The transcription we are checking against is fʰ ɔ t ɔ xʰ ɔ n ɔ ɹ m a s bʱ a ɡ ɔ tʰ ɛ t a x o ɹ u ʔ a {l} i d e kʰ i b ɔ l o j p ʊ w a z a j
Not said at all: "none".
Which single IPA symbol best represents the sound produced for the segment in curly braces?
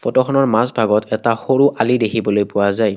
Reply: l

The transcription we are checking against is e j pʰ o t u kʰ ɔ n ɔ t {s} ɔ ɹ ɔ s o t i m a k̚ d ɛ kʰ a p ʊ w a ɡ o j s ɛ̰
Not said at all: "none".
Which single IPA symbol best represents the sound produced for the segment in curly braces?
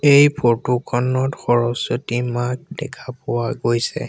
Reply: x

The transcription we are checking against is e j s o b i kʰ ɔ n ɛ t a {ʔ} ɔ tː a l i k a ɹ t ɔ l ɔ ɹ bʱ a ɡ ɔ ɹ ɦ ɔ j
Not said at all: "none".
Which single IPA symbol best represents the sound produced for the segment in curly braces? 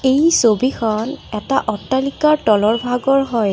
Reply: ʔ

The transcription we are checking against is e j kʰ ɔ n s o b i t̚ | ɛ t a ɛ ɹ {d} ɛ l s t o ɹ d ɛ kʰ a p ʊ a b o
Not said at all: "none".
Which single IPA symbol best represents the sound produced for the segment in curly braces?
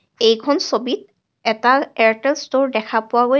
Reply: t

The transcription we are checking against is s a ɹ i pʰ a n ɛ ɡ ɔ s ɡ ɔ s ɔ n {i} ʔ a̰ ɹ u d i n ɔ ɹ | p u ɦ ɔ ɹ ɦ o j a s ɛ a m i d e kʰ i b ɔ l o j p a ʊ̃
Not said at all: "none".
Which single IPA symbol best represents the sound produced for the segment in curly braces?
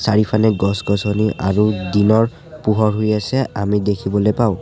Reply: i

